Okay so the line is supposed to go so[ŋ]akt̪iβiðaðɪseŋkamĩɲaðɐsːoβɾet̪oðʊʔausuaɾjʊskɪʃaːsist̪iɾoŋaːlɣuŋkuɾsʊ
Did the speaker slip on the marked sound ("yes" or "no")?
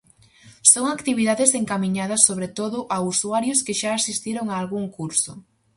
no